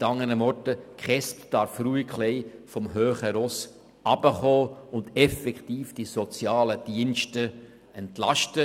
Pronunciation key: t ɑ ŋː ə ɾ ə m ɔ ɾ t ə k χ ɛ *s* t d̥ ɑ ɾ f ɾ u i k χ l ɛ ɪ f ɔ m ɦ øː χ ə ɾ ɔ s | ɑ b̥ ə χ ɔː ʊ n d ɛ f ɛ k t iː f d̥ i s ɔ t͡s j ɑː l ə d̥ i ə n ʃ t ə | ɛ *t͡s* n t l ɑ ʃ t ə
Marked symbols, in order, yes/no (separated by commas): yes, no